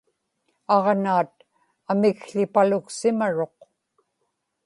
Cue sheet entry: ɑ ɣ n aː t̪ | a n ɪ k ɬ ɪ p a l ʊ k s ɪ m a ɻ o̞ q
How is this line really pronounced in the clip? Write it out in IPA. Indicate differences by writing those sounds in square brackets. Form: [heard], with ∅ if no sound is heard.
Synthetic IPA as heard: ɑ [ʁ] n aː t̪ | a [m] ɪ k ɬ ɪ p a l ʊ k s ɪ m a ɻ o̞ q